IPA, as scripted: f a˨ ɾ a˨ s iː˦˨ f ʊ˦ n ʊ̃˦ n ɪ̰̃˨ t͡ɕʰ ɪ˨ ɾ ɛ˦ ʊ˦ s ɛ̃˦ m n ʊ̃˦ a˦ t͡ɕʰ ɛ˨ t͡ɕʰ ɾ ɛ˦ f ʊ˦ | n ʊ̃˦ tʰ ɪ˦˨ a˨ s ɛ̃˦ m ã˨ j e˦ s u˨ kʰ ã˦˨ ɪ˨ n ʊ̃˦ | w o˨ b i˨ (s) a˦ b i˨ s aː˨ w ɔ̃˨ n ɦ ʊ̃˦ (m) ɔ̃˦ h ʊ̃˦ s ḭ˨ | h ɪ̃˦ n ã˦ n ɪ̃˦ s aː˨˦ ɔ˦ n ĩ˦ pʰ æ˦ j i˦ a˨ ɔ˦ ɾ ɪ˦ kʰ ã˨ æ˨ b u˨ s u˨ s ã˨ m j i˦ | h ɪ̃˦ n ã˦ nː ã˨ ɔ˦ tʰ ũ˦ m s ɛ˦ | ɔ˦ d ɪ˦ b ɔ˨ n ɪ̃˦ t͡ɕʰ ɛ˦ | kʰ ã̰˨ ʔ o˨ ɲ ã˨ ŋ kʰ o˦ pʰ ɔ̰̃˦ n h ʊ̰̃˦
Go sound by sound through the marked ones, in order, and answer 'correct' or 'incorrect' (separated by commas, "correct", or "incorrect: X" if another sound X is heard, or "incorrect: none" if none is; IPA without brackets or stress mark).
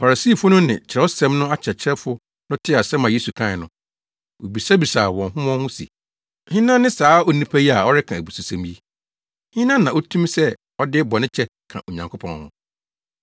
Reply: correct, correct